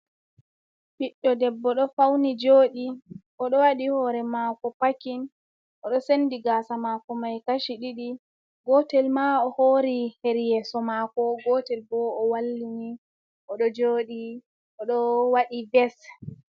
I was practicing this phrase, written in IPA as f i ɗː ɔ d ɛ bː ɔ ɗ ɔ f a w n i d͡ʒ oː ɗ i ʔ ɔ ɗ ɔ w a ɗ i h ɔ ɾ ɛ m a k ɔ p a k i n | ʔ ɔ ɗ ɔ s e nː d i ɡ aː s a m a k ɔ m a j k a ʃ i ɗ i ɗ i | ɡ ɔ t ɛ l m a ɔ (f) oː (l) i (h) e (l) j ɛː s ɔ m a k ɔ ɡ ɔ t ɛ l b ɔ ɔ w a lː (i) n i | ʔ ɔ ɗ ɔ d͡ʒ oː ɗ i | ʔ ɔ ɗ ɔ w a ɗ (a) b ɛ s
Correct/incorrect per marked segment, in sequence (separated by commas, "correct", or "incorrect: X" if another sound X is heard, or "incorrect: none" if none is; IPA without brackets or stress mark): incorrect: h, incorrect: ɾ, correct, incorrect: ɾ, correct, incorrect: i